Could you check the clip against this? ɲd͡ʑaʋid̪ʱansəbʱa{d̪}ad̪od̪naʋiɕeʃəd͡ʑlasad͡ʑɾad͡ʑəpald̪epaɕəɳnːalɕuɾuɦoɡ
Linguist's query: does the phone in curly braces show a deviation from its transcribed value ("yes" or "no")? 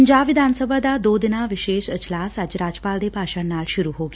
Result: no